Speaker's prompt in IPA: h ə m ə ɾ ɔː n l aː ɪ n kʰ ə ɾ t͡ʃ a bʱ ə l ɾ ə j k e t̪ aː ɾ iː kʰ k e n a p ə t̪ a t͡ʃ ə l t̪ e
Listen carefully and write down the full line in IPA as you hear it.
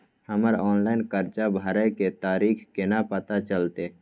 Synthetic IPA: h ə m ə ɾ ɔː n l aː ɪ n k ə ɾ t͡ʃ a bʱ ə ɾ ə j k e t̪ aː ɾ iː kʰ k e n a p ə t̪ a t͡ʃ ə l t̪ e